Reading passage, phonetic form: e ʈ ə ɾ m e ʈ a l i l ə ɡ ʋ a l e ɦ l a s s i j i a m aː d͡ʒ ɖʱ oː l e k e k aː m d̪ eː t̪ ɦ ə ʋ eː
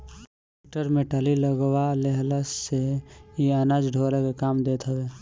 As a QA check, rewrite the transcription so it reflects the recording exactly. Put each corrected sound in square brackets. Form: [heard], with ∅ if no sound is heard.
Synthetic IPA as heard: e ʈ ə ɾ m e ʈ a l i l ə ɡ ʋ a l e ɦ l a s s [e] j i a [n] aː d͡ʒ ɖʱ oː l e k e k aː m d̪ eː t̪ ɦ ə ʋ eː